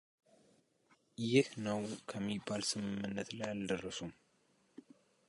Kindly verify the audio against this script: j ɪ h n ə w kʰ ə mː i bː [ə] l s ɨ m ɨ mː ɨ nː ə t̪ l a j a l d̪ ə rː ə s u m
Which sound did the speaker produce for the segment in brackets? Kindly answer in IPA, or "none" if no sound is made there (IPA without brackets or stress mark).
a